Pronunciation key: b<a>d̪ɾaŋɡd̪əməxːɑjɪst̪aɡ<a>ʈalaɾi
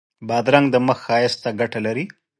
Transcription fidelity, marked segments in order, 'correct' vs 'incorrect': incorrect: ɑ, correct

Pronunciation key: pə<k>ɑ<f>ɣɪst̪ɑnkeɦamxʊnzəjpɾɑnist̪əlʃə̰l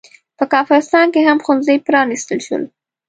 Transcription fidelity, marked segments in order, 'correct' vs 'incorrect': correct, correct

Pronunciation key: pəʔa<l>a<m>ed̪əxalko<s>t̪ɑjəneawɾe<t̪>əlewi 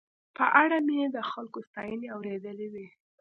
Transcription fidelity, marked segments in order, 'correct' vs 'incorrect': incorrect: ɽ, correct, correct, incorrect: d̪

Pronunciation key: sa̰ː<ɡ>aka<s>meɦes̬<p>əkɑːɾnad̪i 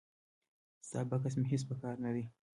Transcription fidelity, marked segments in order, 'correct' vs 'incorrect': incorrect: b, correct, correct

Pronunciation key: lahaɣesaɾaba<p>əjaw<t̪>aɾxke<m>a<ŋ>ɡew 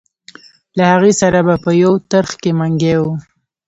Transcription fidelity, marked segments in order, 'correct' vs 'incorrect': correct, correct, correct, correct

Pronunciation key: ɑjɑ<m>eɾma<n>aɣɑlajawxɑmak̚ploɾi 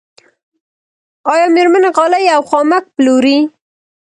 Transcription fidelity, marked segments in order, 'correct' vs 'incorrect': correct, correct

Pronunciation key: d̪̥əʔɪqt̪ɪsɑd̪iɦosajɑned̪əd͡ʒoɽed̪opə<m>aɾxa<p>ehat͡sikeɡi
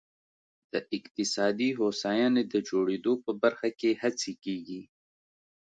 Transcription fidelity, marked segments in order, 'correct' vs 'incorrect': incorrect: b, incorrect: k

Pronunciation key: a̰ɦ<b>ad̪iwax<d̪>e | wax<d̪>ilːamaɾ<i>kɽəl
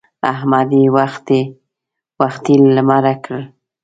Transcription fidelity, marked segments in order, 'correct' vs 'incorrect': incorrect: m, incorrect: t̪, incorrect: t̪, incorrect: a

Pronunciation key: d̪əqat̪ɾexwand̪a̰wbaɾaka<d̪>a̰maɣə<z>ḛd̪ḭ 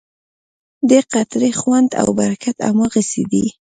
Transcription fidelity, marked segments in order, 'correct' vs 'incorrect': incorrect: t̪, incorrect: s

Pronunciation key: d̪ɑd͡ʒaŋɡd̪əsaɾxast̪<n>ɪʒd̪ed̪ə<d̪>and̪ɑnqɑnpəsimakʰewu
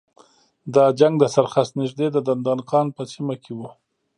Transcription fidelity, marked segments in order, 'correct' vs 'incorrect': correct, correct

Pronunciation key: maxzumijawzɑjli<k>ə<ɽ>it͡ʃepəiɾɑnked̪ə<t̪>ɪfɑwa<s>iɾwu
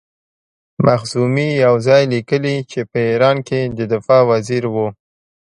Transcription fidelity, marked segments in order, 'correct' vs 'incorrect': correct, incorrect: l, incorrect: d̪, incorrect: z

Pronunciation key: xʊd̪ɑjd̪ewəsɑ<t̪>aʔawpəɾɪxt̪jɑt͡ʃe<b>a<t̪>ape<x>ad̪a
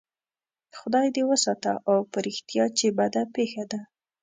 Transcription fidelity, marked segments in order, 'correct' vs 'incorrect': correct, correct, incorrect: d̪, correct

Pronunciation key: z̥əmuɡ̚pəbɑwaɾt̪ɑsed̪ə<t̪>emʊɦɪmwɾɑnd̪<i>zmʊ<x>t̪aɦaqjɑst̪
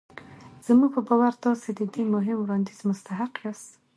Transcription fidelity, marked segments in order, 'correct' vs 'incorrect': incorrect: d̪, correct, incorrect: s

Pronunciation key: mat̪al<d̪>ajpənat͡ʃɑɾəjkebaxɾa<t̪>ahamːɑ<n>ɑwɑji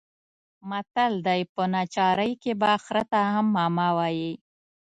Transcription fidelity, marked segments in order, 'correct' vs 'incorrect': correct, correct, incorrect: m

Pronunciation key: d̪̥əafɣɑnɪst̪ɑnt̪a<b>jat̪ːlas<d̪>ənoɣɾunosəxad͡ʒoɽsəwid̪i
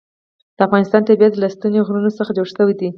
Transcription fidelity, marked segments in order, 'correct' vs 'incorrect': correct, incorrect: t̪

